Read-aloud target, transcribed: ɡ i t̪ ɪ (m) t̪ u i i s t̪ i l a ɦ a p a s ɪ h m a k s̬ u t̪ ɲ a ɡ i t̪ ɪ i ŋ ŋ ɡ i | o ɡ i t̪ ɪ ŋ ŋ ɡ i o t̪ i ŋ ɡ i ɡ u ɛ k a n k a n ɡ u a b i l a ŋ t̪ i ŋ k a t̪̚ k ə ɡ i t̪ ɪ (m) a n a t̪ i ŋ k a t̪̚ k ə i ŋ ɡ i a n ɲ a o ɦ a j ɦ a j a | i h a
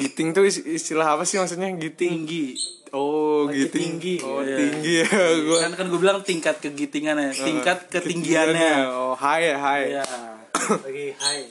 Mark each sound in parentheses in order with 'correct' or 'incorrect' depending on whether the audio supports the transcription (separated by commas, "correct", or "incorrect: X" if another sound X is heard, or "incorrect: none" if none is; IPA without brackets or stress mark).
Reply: incorrect: ŋ, incorrect: ŋ